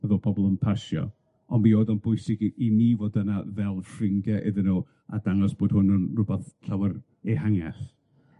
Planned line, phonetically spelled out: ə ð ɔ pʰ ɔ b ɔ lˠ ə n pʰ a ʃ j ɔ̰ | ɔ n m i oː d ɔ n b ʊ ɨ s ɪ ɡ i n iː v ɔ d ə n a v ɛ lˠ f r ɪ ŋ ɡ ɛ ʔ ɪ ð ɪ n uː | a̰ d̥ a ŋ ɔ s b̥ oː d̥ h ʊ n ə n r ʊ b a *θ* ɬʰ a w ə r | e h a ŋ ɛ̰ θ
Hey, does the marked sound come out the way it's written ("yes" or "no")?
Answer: yes